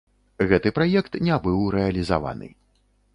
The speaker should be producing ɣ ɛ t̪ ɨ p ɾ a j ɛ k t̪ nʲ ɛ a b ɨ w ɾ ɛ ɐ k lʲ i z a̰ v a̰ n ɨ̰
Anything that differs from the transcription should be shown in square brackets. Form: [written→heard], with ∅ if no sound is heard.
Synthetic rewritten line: ɣ ɛ t̪ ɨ p ɾ a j ɛ k t̪ nʲ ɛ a b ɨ w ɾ ɛ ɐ [k→∅] lʲ i z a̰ v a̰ n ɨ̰